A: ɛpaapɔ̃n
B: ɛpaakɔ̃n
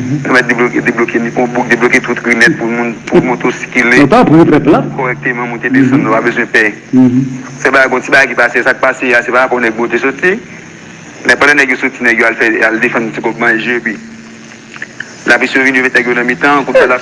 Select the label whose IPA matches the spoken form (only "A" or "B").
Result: A